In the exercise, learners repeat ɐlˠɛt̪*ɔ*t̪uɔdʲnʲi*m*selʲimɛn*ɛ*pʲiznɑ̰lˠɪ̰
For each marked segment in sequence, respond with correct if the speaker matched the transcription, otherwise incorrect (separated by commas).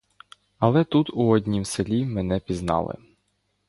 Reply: incorrect, correct, correct